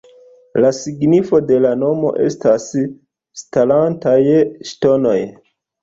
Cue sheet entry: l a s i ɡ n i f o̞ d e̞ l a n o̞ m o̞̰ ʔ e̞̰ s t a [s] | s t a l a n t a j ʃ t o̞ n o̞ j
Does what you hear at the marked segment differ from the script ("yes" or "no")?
no